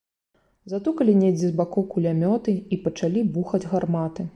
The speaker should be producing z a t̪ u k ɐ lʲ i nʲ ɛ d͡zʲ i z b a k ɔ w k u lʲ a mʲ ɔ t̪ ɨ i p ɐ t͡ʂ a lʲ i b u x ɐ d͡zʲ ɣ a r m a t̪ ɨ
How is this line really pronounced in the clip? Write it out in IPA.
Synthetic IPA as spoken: z a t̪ u k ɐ lʲ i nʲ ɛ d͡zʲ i z b a k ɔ w k u lʲ a mʲ ɔ t̪ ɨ i p ɐ t͡ʂ a lʲ i b u x ɐ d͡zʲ ɣ a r m a t̪ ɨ

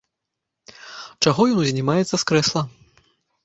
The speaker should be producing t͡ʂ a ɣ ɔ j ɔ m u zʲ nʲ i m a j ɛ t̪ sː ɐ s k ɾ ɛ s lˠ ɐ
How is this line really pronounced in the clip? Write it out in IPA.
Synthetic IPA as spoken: t͡ʂ a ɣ ɔ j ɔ n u zʲ nʲ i m a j ɛ t̪ sː ɐ s k ɾ ɛ s lˠ ɐ

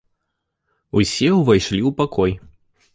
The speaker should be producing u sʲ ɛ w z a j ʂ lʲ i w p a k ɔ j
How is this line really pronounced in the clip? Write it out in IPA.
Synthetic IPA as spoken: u sʲ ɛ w v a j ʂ lʲ i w p a k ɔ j

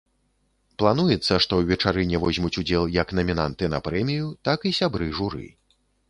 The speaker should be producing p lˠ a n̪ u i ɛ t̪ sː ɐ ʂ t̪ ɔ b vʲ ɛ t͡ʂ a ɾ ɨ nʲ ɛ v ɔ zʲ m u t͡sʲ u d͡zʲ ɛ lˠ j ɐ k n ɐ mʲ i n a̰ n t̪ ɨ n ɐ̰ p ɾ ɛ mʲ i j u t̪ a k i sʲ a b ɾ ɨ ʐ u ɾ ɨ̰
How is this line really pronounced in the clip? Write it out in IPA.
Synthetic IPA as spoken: p lˠ a n̪ u j ɛ t̪ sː ɐ ʂ t̪ ɔ w vʲ ɛ t͡ʂ a ɾ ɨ nʲ ɛ v ɔ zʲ m u t͡sʲ u d͡zʲ ɛ lˠ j ɐ k n ɐ mʲ i n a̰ n t̪ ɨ n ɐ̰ p ɾ ɛ mʲ i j u t̪ a k i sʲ a b ɾ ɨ ʐ u ɾ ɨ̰

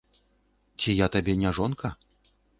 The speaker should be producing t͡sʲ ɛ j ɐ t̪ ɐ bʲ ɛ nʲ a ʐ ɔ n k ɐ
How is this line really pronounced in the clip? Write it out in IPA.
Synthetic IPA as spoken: t͡sʲ i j a t̪ a bʲ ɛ nʲ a ʐ ɔ n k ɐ

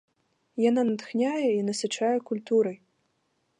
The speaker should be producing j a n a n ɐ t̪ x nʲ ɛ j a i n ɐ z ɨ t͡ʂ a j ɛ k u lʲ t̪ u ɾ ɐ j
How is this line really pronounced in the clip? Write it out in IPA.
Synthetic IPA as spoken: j a n a n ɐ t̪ x nʲ a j ɛ i n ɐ s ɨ t͡ʂ a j ɛ k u lʲ t̪ u ɾ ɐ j

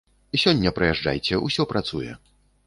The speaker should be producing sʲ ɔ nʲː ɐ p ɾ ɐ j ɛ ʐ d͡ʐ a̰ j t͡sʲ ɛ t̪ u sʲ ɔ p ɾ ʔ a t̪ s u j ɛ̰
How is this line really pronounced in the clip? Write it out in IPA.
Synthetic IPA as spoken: sʲ ɔ nʲː ɐ p ɾ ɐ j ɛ ʐ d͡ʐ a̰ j t͡sʲ ɛ u sʲ ɔ p ɾ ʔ a t̪ s u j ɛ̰

